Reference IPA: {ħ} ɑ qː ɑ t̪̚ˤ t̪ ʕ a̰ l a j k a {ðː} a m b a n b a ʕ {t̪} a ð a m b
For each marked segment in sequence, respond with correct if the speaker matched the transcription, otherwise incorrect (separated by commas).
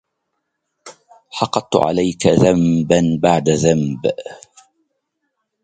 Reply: correct, incorrect, incorrect